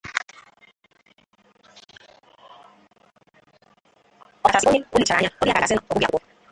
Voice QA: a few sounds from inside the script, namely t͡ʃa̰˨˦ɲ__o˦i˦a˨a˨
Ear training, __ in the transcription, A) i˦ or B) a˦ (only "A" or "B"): B